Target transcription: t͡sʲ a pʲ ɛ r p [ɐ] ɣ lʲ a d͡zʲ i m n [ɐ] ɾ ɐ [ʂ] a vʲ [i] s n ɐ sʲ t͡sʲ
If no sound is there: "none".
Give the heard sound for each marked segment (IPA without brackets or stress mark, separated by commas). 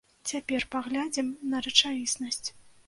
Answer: a, ɐ, t͡ʂ, i